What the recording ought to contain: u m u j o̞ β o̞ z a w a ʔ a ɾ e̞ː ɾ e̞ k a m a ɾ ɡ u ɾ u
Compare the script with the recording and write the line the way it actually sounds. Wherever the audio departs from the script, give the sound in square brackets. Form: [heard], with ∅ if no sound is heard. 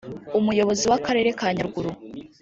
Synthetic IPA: u m u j o̞ β o̞ z [i] w a [k] a ɾ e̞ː ɾ e̞ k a [ɲ] a ɾ ɡ u ɾ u